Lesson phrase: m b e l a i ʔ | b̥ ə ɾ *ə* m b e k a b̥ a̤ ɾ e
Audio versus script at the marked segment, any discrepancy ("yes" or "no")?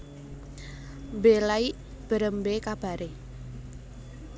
no